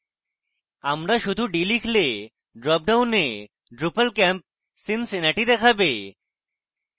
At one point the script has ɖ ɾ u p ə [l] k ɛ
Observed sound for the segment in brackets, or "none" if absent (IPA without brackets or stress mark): l